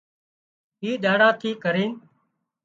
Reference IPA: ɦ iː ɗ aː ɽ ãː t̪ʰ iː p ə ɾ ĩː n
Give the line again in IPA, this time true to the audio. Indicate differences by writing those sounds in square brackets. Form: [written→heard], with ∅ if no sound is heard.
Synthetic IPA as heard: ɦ iː ɗ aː ɽ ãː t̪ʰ iː [p→k] ə ɾ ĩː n